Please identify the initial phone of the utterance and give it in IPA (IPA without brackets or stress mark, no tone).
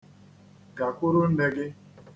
ɡ